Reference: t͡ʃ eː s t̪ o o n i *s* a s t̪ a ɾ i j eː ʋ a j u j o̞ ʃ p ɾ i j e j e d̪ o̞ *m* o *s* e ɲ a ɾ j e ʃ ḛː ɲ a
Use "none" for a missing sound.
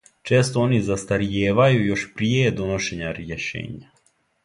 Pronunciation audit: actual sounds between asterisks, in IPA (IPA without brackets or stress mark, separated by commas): z, n, ʃ